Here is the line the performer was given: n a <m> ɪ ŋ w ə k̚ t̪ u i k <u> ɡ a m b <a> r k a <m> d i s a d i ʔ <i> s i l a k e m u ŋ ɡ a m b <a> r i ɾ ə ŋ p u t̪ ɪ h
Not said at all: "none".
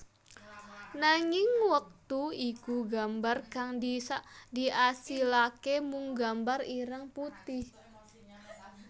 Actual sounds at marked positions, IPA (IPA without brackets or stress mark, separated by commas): ŋ, u, a, ŋ, a, a